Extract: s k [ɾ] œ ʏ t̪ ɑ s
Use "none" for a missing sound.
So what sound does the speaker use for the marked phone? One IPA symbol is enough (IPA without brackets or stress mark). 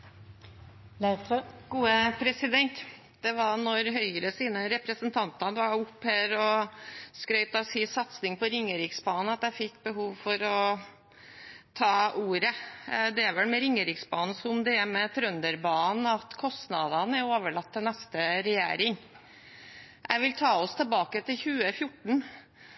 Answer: ɾ